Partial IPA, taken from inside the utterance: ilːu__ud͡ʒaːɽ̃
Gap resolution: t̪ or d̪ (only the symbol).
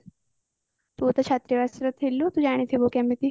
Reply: t̪